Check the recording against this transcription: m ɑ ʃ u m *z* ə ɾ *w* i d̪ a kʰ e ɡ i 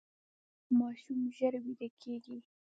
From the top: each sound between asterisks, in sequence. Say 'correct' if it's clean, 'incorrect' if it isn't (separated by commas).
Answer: incorrect, correct